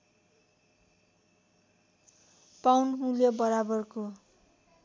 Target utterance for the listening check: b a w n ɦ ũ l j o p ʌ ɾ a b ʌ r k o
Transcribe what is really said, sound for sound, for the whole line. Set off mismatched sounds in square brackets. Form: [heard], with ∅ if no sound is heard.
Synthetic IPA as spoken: [p] a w n ɦ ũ l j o [b] ʌ ɾ a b ʌ r k o